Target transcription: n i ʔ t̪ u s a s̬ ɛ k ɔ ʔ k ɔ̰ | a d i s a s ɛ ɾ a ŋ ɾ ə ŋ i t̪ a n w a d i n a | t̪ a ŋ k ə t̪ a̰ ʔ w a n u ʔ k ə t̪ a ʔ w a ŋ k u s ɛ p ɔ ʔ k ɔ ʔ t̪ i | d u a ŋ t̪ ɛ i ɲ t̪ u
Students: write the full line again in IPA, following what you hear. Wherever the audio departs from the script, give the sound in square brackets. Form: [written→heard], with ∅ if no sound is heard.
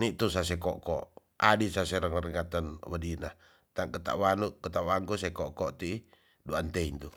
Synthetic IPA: n i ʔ t̪ u s a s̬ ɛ k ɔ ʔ k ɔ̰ | a d i s a s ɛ ɾ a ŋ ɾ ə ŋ [i→a] t̪ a n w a d i n a | t̪ a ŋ k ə t̪ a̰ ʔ w a n u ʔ k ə t̪ a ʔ w a ŋ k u s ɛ [p→k] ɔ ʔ k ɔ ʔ t̪ i | d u a [ŋ→n] t̪ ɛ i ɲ t̪ u